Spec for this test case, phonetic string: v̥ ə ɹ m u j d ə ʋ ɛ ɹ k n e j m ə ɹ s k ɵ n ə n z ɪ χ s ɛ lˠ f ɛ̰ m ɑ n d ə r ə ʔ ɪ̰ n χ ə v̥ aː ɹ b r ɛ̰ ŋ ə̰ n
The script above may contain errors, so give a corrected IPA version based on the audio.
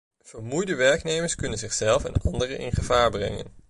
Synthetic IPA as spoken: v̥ ə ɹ m u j d ə ʋ ɛ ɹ k n e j m ə ɹ s k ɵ n ə n z ɪ χ s ɛ lˠ f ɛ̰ n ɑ n d ə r ə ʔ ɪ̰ n χ ə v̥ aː ɹ b r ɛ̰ ŋ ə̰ n